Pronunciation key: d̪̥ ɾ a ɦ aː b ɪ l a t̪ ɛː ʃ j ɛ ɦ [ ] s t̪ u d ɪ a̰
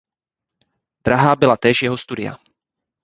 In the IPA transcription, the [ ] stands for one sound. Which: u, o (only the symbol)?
o